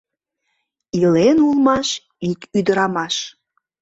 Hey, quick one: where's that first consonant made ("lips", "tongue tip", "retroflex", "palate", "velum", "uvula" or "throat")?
tongue tip